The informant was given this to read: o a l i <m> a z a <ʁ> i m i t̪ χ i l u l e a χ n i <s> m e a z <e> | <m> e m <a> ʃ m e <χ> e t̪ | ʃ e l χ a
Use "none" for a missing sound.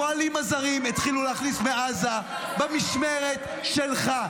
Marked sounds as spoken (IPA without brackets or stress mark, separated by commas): m, ʁ, s, a, b, i, ʁ